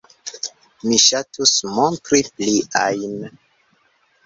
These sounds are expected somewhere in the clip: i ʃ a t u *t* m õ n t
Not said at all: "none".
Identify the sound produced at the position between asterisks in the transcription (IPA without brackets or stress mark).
s